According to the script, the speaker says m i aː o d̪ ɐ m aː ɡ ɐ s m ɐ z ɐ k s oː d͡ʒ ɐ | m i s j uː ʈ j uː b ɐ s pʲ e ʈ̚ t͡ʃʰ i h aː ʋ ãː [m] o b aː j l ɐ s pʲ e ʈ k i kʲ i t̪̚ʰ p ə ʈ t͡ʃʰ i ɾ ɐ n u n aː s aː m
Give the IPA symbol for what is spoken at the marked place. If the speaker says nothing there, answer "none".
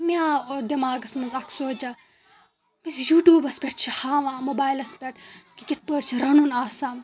m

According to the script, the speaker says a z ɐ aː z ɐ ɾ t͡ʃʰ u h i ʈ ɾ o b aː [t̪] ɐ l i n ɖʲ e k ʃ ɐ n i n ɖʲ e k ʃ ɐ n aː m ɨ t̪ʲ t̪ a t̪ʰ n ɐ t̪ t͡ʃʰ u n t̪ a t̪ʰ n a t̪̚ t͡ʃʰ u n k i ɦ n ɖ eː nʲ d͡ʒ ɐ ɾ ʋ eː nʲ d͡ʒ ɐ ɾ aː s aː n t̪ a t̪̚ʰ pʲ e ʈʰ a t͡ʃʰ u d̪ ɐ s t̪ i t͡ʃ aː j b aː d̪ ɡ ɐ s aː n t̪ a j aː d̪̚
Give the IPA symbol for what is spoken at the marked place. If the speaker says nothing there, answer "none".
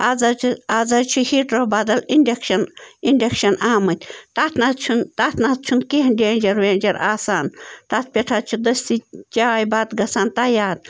d̪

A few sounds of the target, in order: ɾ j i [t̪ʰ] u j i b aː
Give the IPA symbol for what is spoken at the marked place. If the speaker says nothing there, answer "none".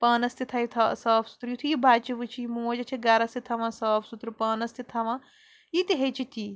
t̪ʰ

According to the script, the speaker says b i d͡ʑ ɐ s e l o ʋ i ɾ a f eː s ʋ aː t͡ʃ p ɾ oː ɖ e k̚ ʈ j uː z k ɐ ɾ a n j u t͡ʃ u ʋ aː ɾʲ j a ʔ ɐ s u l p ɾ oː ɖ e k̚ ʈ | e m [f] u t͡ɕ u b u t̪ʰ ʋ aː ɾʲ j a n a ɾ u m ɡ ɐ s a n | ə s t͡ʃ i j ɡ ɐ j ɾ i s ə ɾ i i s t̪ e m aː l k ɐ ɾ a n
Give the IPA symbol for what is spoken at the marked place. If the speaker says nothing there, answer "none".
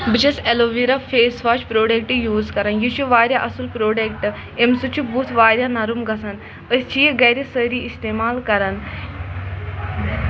s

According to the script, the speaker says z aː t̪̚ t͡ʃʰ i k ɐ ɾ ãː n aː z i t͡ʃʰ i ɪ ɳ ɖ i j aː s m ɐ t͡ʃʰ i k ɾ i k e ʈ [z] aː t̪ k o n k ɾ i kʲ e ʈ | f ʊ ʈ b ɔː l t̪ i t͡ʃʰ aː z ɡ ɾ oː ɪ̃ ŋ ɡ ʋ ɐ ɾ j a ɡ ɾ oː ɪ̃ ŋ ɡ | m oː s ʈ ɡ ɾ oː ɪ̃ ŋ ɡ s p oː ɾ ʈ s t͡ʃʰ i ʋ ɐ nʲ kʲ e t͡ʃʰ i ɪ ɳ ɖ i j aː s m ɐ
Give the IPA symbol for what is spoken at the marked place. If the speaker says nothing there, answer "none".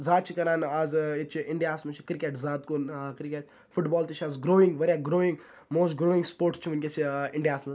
z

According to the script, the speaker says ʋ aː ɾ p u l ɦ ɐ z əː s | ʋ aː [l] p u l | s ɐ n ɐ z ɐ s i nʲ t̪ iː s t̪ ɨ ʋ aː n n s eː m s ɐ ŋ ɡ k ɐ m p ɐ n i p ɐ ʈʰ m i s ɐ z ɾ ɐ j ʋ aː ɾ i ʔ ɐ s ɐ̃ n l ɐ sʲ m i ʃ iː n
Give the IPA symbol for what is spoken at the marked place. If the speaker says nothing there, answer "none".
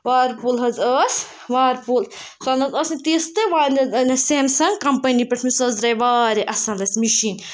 ɾ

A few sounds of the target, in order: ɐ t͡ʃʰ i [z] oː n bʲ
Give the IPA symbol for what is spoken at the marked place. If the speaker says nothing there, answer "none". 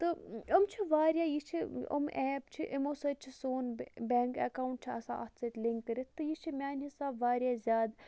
s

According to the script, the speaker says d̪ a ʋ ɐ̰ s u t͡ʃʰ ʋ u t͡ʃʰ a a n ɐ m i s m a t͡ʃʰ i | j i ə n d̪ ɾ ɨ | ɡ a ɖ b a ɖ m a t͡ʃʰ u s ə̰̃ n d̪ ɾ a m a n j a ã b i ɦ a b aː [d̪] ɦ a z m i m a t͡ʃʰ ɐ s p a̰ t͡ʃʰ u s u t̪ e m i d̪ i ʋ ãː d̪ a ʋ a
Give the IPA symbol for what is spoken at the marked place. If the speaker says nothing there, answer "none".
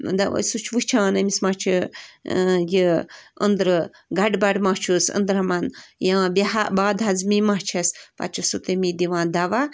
d̪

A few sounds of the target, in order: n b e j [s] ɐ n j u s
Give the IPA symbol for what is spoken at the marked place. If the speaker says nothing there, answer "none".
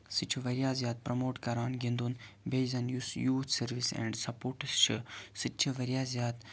z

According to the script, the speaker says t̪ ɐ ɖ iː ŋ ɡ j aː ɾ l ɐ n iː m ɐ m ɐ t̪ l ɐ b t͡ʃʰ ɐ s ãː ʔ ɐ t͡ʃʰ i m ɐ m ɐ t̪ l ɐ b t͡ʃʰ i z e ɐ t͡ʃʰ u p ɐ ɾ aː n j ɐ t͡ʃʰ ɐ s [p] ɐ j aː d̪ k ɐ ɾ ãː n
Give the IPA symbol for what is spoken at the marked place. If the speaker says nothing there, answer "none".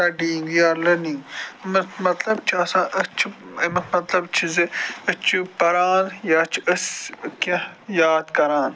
k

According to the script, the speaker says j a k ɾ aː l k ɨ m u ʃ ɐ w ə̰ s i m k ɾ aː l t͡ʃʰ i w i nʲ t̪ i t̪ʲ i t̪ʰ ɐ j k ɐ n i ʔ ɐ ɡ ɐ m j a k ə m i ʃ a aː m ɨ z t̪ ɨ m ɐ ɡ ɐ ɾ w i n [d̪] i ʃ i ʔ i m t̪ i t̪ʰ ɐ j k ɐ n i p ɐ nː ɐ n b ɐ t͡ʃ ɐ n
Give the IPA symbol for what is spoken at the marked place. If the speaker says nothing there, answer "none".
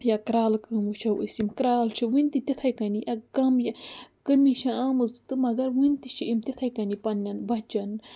t̪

